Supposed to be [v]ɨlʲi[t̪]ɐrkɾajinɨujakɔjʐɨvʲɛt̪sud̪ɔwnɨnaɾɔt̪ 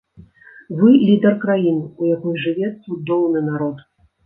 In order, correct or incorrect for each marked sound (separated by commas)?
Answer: correct, incorrect